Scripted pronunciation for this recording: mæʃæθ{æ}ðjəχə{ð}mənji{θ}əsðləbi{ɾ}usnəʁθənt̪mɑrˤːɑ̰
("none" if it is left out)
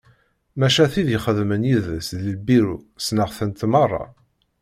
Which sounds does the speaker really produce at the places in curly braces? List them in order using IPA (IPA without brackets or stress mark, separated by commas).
i, ð, ð, ɾ